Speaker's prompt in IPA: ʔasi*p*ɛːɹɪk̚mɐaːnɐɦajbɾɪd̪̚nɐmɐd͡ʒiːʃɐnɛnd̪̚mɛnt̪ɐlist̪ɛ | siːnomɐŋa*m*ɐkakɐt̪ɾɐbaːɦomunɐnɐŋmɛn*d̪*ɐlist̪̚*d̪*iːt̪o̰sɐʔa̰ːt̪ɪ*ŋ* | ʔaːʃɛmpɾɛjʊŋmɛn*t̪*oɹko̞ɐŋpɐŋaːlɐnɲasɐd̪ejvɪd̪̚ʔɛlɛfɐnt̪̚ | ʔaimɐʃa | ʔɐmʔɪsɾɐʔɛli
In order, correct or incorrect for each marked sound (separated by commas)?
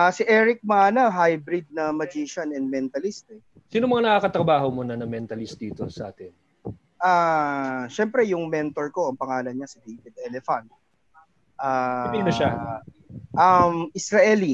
incorrect, incorrect, incorrect, correct, incorrect, correct